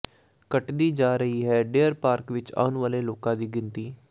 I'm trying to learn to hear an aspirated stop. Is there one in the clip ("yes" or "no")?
no